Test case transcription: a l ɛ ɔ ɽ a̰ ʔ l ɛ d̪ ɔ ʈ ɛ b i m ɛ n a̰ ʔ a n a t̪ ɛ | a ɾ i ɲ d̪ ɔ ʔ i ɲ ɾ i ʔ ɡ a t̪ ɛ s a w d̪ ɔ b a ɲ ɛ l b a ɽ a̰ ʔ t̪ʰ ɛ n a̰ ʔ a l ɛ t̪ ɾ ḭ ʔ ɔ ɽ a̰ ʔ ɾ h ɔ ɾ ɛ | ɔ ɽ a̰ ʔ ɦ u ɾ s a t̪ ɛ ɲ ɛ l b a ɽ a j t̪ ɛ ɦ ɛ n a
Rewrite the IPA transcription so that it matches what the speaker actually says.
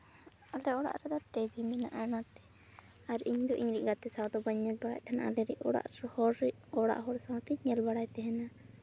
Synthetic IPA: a l ɛ ɔ ɽ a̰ ʔ ɾ ɛ d̪ ɔ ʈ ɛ b i m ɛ n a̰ ʔ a n a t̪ ɛ | a ɾ i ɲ d̪ ɔ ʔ i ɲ ɾ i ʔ ɡ a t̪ ɛ s a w d̪ ɔ b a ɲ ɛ l b a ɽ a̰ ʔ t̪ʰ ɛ n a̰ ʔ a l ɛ ɾ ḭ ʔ ɔ ɽ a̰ ʔ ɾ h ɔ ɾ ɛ | ɔ ɽ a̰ ʔ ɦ ɔ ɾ s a t̪ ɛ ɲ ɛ l b a ɽ a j t̪ ɛ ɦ ɛ n a